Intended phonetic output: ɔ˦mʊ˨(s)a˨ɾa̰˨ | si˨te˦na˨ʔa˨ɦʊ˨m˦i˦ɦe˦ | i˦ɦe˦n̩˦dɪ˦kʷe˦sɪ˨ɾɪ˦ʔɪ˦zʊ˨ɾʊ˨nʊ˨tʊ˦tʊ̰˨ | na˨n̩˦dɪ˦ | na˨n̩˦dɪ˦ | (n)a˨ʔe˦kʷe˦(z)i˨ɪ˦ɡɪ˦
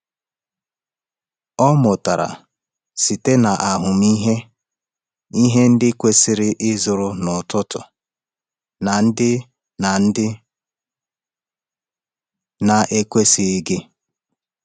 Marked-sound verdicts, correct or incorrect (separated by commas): incorrect, correct, incorrect